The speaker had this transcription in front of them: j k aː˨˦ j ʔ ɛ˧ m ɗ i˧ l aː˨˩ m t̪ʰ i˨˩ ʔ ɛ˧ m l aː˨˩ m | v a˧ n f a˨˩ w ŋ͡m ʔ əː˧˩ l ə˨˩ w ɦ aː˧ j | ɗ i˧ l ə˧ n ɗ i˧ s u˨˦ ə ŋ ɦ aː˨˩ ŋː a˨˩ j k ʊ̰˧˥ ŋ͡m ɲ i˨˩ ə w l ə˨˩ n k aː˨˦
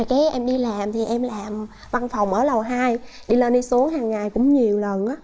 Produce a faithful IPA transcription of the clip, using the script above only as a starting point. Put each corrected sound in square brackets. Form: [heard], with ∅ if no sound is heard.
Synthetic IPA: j k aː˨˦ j ʔ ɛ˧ m ɗ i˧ l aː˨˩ m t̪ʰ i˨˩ ʔ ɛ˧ m l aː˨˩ m | v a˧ n f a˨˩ w ŋ͡m ʔ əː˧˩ l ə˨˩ w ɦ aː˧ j | ɗ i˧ l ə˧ n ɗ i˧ s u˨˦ ə ŋ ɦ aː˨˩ ŋː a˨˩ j k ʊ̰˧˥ ŋ͡m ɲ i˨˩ ə w l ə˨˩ n [ʔ] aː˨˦